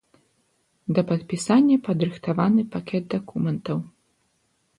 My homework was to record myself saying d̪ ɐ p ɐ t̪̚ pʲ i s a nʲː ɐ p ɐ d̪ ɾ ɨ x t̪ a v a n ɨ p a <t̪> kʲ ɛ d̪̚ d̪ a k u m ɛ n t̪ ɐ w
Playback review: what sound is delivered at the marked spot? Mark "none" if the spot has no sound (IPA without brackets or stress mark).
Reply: none